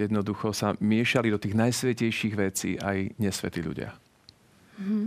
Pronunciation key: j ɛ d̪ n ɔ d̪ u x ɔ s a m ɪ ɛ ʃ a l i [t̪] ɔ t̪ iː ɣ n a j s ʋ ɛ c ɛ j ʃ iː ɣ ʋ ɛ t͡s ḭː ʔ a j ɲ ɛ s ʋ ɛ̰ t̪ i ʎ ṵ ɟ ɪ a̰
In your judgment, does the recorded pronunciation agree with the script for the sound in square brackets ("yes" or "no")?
no